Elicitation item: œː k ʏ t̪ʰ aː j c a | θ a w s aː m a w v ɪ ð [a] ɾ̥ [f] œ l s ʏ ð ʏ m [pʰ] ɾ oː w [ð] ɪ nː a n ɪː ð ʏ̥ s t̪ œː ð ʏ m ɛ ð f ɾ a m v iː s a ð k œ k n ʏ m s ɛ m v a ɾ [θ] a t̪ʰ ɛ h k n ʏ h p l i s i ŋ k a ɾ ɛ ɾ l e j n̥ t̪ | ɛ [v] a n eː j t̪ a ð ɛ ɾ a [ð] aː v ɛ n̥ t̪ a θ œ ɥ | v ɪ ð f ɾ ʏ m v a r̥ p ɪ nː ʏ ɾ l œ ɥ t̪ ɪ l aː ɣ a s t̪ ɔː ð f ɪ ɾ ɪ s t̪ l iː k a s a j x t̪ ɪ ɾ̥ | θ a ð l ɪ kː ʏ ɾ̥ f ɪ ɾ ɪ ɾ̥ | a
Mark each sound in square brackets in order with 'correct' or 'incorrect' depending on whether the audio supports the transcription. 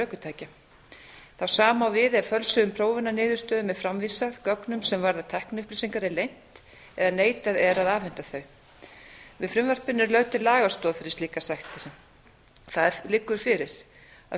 incorrect: ɛ, correct, correct, incorrect: v, incorrect: ð, incorrect: ð, correct

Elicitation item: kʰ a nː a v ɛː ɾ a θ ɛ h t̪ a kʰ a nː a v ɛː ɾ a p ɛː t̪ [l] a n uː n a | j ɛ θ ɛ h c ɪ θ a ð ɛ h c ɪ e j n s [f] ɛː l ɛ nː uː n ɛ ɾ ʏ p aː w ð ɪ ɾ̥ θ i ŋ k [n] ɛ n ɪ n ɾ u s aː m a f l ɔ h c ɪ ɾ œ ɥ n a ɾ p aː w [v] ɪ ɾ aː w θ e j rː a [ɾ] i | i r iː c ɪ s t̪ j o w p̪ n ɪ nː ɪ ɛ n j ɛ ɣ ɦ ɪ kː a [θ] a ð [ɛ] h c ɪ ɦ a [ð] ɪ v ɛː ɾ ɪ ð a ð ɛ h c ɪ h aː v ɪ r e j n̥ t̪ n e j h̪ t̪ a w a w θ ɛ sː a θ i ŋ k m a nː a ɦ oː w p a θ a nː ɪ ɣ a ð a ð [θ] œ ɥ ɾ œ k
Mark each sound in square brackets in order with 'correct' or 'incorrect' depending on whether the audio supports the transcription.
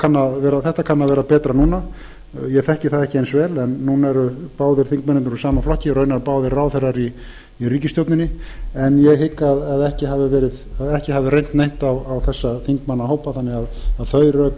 incorrect: ɾ, incorrect: v, incorrect: m, incorrect: ð, correct, incorrect: ð, correct, incorrect: v, correct

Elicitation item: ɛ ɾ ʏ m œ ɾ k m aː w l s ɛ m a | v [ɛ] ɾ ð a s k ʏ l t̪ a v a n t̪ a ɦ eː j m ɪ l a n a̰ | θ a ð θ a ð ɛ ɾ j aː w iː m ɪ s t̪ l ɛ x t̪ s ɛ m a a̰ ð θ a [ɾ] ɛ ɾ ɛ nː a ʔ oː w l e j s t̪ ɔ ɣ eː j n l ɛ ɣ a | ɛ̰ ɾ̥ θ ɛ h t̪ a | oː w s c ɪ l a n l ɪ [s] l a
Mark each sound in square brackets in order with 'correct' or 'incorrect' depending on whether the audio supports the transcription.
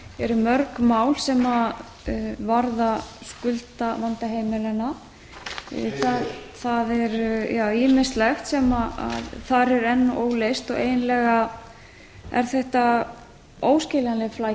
incorrect: a, correct, incorrect: f

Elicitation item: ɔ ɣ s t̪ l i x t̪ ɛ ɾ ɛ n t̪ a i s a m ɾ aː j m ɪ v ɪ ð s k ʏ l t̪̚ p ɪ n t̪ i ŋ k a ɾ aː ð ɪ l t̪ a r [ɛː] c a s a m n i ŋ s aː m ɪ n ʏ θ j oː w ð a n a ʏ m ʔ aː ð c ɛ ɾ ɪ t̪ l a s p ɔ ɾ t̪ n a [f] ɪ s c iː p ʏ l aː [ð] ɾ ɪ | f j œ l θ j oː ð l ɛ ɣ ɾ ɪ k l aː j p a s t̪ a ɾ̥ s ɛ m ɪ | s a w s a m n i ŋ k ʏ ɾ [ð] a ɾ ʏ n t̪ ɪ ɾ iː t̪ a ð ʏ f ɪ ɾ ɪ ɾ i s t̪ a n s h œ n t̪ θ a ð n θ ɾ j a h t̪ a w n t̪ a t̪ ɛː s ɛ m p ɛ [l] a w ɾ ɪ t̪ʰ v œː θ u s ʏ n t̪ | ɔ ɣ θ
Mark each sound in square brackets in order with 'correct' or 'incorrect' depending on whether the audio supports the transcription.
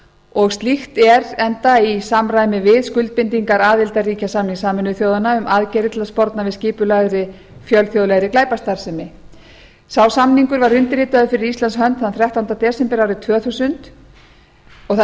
incorrect: iː, incorrect: v, correct, incorrect: v, incorrect: ɾ

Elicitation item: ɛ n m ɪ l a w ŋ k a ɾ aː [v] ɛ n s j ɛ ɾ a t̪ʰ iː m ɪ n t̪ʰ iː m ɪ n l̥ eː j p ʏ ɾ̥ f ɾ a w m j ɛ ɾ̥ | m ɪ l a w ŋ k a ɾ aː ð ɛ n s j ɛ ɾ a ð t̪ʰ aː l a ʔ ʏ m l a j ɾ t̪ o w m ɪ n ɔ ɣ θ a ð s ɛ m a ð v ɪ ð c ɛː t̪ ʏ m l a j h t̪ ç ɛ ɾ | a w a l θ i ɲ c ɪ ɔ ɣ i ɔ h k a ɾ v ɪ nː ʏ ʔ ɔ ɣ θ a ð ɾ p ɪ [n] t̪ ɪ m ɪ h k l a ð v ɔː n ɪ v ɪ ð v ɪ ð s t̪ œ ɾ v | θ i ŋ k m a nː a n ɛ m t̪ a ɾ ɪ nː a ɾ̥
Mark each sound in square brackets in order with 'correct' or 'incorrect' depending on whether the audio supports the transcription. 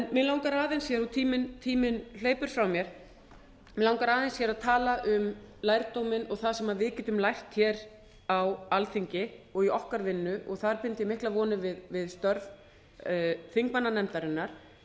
incorrect: ð, correct

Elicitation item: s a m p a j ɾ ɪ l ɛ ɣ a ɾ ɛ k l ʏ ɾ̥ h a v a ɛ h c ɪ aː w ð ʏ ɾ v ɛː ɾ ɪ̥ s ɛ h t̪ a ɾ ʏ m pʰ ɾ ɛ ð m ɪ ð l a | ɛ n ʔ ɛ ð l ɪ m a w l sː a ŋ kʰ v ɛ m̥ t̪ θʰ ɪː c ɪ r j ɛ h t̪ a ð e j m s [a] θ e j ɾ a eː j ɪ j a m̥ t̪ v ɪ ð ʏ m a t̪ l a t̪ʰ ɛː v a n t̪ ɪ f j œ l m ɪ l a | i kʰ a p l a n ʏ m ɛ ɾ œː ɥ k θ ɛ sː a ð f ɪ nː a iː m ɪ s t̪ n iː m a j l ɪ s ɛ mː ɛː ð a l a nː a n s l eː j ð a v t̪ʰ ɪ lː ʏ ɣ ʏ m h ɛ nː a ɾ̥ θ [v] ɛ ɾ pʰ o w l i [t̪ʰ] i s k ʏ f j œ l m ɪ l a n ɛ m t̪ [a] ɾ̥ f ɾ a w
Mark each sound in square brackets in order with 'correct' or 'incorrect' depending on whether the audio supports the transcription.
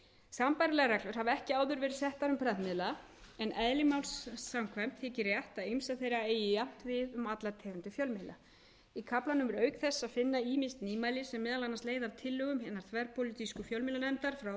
correct, correct, incorrect: t̪, correct

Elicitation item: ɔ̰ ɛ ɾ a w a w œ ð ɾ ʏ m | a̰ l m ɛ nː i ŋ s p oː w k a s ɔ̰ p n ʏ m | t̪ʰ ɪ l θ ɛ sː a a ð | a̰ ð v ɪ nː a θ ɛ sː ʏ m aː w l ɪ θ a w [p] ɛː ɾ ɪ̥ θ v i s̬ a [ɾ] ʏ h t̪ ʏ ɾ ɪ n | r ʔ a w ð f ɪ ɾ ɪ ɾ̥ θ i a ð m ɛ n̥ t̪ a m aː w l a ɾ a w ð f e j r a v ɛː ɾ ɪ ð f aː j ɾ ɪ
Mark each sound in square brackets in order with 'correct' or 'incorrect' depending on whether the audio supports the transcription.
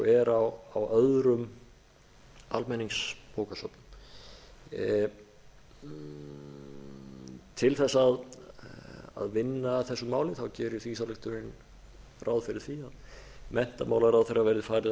incorrect: c, incorrect: l

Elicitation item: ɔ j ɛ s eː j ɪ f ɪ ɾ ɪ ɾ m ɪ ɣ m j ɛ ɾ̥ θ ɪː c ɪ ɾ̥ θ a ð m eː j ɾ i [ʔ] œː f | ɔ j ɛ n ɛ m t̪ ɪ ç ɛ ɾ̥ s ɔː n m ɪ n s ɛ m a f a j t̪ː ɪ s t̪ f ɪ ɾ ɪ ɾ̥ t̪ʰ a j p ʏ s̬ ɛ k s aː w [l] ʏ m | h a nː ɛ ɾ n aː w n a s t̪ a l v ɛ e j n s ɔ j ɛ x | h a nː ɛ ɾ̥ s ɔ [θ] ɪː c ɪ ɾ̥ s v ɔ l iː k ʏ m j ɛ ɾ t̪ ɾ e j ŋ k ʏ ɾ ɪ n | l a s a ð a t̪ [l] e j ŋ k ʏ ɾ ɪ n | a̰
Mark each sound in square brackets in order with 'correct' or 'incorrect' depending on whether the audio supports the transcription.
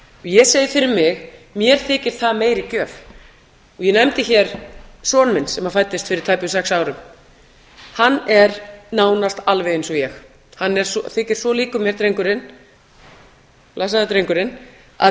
incorrect: c, incorrect: ɾ, correct, incorrect: ɾ

